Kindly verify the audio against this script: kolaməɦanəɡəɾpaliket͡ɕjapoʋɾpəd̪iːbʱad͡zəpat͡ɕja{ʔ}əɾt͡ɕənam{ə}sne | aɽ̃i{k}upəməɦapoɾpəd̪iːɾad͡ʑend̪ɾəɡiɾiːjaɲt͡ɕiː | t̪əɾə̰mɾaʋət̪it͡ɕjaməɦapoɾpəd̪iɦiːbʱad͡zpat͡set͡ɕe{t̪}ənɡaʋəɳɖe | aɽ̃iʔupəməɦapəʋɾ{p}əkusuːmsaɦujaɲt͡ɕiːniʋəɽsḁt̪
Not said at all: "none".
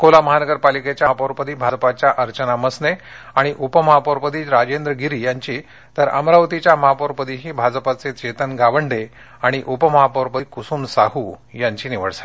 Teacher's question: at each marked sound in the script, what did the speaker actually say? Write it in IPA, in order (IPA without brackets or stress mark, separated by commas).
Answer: ʔ, ə, ʔ, t̪, p